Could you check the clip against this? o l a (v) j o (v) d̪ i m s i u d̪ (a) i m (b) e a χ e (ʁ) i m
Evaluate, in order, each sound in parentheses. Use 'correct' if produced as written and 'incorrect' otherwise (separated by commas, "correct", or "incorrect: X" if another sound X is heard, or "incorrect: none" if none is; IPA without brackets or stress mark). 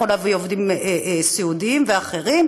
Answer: correct, correct, incorrect: i, incorrect: v, correct